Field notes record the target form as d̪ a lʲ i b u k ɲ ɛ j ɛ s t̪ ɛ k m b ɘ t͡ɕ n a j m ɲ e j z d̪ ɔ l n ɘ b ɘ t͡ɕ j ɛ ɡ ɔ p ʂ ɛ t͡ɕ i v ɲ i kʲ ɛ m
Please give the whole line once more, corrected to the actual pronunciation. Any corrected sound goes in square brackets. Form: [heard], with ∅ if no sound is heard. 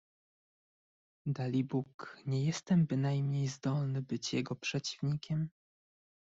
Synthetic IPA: d̪ a lʲ i b u k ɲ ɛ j ɛ s t̪ ɛ [∅] m b ɘ [∅] n a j m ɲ e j z d̪ ɔ l n ɘ b ɘ t͡ɕ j ɛ ɡ ɔ p ʂ ɛ t͡ɕ i v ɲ i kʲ ɛ m